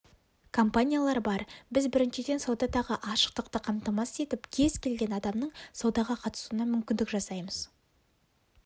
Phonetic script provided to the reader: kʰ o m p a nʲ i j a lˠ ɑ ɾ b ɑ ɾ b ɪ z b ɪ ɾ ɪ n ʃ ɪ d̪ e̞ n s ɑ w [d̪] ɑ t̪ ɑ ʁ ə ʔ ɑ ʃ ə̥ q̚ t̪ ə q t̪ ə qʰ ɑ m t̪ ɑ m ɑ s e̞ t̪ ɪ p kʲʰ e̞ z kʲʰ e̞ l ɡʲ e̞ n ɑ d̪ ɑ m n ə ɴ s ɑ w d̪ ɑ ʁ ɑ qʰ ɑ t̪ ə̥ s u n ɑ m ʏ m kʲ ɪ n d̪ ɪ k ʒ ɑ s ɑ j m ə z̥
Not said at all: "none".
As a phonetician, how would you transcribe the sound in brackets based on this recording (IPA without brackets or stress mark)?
d̪